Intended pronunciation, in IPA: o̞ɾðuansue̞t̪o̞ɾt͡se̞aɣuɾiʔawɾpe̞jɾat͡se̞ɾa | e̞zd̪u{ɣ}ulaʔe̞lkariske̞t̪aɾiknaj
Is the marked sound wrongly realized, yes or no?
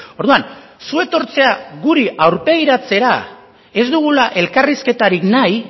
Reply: no